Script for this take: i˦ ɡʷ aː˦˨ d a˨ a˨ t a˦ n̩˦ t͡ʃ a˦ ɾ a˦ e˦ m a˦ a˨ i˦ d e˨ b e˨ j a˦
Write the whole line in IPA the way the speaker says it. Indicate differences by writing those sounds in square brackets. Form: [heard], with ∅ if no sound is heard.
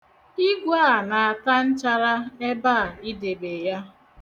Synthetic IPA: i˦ ɡʷ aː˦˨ [n] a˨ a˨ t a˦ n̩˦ t͡ʃ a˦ ɾ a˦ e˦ [b] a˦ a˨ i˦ d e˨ b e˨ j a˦